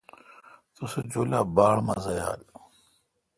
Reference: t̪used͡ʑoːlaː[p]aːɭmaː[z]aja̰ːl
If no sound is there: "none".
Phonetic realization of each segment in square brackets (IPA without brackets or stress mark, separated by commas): b, z